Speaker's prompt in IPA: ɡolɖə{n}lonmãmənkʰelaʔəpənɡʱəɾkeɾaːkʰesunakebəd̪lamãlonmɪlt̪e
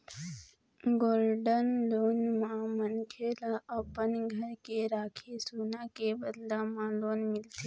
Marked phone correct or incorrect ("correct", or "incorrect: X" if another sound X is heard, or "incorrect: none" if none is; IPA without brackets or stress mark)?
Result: correct